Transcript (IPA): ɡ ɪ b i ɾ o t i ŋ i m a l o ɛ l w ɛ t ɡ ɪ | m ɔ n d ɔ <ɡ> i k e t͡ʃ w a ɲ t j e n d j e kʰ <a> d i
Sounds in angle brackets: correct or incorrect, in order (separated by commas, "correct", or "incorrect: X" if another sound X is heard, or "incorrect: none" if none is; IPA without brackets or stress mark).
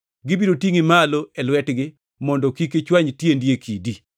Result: incorrect: k, incorrect: i